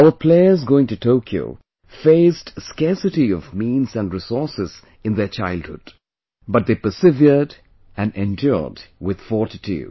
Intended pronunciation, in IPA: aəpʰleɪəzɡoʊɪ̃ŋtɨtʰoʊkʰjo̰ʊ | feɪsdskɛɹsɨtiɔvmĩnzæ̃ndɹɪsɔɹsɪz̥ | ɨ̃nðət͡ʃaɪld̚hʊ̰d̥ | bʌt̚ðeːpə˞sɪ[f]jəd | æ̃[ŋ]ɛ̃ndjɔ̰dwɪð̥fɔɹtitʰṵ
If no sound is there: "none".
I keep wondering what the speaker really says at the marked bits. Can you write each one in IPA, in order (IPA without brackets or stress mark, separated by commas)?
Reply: v, n